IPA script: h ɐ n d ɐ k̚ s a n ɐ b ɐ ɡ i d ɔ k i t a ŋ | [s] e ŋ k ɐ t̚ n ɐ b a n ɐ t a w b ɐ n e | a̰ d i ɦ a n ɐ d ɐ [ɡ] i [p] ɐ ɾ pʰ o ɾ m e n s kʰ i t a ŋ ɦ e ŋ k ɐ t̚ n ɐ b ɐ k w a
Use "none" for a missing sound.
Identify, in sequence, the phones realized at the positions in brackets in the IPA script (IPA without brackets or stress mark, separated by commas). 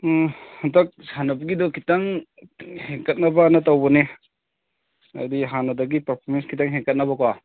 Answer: h, ɡ, p